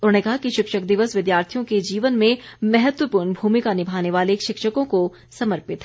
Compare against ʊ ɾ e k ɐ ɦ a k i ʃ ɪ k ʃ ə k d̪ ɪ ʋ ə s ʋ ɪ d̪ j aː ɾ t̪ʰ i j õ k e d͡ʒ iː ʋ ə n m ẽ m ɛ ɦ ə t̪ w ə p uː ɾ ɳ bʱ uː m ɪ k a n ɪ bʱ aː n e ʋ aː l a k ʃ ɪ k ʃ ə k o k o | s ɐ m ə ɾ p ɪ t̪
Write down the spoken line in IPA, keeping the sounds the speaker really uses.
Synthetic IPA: ʊ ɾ e k ɐ ɦ a k i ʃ ɪ k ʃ ə k d̪ ɪ ʋ ə s ʋ ɪ d̪ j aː ɾ t̪ʰ i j õ k e d͡ʒ iː ʋ ə n m ẽ m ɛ ɦ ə t̪ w ə p uː ɾ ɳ bʱ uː m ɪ k a n ɪ bʱ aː n e ʋ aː l e k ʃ ɪ k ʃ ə k õ k o | s ɐ m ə ɾ p ɪ t̪